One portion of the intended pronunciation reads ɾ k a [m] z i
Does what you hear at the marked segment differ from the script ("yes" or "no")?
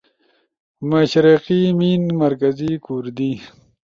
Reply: yes